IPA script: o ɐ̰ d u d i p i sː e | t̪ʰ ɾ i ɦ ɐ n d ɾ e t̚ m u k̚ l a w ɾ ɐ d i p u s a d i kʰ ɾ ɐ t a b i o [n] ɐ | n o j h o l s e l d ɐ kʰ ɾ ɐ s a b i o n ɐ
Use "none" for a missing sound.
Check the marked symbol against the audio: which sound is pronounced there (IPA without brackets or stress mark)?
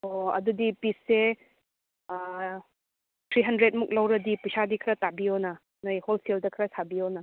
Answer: n